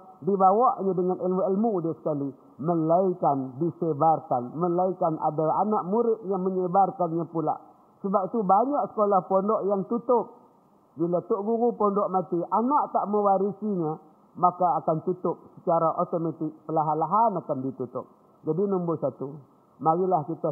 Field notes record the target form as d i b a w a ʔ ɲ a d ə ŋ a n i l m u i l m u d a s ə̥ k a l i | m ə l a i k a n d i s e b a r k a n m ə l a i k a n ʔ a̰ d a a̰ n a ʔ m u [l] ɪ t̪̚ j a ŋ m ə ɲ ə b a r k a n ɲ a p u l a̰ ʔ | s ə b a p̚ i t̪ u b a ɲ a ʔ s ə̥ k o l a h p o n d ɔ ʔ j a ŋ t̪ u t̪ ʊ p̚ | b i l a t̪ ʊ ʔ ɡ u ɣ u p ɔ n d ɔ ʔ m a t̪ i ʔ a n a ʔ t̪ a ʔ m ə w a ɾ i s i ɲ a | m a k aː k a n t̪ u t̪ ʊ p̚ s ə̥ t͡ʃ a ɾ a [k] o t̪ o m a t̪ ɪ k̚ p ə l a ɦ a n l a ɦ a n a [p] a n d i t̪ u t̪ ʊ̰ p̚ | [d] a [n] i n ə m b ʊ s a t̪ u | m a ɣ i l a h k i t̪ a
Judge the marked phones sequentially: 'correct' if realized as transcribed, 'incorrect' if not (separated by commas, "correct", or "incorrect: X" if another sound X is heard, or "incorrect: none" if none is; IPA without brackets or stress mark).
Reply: incorrect: ɾ, incorrect: ʔ, incorrect: k, incorrect: d͡ʒ, incorrect: d